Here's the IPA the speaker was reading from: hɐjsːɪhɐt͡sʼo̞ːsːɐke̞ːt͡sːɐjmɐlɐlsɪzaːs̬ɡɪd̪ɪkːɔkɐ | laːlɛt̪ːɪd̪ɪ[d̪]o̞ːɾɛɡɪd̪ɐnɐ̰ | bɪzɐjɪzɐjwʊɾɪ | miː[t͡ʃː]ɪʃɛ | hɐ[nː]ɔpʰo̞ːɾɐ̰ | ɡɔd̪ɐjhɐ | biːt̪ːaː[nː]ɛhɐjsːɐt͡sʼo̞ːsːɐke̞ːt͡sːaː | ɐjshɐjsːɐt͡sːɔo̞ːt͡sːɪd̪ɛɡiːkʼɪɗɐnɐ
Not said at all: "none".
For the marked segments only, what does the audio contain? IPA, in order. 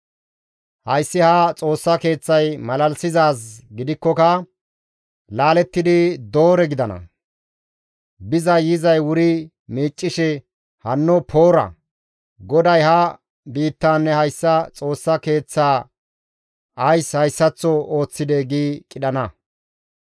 d̪, t͡ʃʼː, nː, nː

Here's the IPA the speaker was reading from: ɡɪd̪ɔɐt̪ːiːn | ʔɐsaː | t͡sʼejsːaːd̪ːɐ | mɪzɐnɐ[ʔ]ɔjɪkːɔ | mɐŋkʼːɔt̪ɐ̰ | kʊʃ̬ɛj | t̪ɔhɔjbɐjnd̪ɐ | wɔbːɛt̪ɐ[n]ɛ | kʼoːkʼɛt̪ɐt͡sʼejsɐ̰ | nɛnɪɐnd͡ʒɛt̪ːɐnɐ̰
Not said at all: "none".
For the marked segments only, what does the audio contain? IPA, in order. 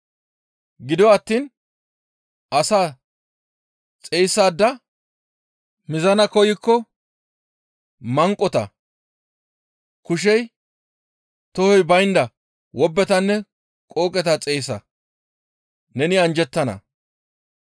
k, nː

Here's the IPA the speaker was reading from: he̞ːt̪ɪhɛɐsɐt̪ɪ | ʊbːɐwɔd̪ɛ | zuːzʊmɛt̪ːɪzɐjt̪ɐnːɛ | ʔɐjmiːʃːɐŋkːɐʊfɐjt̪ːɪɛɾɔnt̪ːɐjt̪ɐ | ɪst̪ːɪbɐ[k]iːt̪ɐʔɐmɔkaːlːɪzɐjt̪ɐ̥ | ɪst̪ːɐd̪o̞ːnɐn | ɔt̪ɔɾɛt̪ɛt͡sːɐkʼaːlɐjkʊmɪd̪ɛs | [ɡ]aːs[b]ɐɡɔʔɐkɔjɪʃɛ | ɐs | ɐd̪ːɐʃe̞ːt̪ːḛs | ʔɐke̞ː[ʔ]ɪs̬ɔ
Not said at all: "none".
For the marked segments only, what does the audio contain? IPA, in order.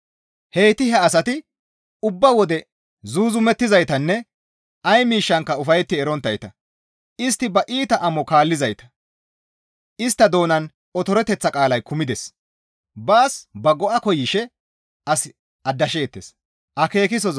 ʔ, b, b, k

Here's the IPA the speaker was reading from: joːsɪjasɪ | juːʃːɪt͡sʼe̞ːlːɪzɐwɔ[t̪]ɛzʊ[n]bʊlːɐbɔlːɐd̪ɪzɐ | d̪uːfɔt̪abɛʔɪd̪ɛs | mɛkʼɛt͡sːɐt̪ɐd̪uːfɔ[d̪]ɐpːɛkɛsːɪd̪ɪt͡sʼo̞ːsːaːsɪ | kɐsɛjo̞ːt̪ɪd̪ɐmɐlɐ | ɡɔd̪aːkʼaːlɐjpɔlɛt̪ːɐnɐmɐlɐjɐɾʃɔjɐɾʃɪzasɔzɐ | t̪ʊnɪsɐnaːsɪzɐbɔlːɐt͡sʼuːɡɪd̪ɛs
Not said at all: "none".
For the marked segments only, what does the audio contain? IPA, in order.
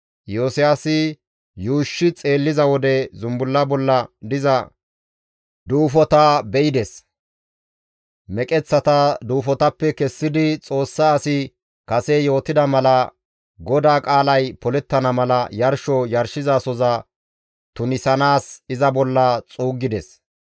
d̪, m, t̪

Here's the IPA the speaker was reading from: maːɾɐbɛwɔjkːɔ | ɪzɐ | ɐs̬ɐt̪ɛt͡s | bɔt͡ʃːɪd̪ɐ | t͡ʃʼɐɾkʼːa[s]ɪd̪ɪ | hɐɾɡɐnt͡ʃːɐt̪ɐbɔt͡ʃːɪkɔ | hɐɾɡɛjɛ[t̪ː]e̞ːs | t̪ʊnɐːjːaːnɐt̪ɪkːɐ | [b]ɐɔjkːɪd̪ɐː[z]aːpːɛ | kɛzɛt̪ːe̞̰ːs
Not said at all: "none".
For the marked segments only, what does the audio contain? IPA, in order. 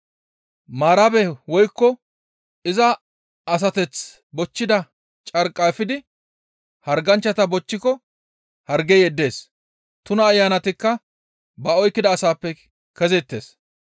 f, d̪ː, b, s

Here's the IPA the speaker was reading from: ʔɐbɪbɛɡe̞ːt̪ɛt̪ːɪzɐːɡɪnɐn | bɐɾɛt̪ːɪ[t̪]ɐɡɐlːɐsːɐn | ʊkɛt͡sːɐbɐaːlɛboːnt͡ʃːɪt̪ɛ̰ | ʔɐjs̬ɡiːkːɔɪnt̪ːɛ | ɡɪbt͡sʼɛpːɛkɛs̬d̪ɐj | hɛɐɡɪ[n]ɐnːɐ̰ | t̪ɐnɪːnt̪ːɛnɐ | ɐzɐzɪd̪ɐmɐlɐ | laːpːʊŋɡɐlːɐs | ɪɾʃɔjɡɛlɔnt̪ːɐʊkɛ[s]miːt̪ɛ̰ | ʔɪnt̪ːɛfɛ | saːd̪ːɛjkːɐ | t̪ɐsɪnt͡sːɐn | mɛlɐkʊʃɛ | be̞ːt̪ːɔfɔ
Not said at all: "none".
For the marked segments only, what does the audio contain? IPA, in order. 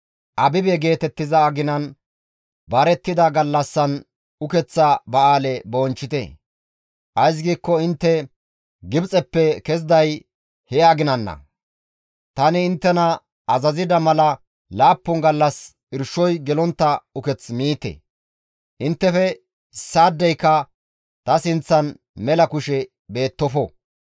d̪, n, t͡s

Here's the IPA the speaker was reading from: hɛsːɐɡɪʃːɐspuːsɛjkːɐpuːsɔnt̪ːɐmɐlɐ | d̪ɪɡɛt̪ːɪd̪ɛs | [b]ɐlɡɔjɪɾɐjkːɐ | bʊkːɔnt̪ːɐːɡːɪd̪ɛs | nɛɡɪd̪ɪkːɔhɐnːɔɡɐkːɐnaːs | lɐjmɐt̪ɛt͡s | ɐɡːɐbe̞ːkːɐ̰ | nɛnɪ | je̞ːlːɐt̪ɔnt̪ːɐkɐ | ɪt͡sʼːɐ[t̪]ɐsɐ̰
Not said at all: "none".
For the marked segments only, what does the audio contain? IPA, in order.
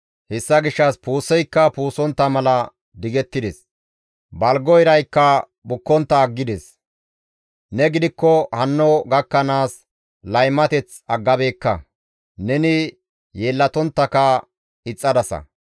b, d̪

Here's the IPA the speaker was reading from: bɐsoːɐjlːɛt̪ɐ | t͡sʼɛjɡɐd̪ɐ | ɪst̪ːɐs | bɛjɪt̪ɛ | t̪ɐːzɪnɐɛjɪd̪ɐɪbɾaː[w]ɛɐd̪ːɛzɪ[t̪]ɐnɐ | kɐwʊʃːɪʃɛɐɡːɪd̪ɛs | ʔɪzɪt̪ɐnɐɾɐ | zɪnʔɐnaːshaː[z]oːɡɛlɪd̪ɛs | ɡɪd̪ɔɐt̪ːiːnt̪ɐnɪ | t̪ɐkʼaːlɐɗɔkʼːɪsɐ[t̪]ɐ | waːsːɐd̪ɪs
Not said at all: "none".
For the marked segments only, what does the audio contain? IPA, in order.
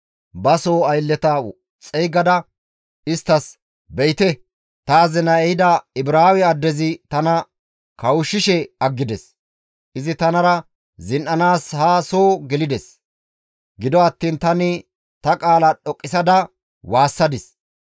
w, t̪, s, d̪

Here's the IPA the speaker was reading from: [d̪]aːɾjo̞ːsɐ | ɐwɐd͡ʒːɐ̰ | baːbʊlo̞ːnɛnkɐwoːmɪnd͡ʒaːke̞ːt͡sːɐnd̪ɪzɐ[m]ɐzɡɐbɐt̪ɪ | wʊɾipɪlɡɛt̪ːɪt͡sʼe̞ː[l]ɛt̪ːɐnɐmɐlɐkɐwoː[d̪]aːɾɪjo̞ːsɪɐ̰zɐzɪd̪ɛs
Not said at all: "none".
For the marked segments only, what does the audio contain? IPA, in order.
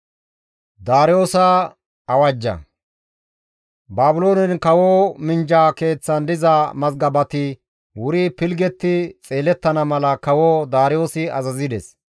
d̪, m, l, d̪

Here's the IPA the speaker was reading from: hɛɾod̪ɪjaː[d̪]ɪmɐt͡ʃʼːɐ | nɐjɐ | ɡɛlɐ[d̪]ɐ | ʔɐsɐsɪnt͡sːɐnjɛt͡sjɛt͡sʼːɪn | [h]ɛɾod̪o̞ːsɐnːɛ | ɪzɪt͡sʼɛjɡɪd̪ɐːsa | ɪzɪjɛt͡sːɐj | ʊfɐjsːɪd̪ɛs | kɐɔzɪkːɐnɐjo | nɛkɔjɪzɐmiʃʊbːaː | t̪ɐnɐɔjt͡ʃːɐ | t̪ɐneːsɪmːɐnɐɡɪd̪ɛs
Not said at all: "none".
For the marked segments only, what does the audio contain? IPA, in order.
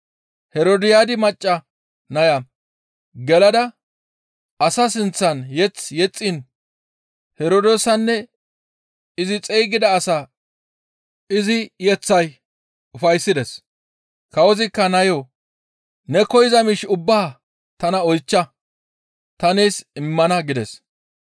d̪, d̪, h

